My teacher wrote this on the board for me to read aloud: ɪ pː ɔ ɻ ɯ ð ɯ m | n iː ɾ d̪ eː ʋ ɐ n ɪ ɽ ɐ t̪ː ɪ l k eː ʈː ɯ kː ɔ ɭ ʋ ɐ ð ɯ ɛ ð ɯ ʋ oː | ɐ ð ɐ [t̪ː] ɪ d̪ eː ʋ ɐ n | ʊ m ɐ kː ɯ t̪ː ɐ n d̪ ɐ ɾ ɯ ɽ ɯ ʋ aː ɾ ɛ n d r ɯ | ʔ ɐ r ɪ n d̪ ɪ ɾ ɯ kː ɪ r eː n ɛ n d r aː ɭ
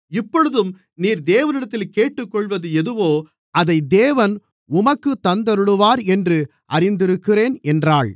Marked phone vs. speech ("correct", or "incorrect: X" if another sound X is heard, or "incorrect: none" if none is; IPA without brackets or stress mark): incorrect: none